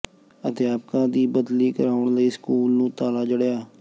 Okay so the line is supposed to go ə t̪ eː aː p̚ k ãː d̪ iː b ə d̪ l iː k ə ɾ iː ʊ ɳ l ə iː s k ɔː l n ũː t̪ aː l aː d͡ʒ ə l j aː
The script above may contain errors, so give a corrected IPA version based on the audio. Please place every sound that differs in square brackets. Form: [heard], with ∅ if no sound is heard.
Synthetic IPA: ə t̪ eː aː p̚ k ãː d̪ iː b ə d̪ l iː k ə ɾ [aː] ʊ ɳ l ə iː s k [uː] l n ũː t̪ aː l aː d͡ʒ ə [ɽ] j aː